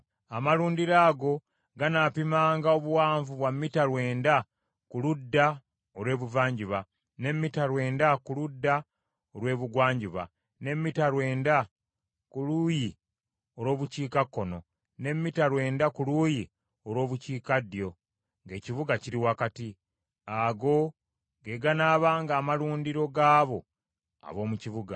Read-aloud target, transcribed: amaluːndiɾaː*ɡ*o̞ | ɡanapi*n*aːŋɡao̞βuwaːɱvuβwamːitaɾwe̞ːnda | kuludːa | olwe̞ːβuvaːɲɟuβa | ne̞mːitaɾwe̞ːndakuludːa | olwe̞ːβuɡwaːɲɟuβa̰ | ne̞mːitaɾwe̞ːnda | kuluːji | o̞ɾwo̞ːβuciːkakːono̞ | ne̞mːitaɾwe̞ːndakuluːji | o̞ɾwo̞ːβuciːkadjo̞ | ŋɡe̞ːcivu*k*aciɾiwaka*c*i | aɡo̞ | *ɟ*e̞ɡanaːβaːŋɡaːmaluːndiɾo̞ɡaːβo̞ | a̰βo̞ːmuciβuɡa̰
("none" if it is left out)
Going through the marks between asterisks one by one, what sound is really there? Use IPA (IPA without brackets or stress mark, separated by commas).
ɡ, m, ɡ, t, ɡ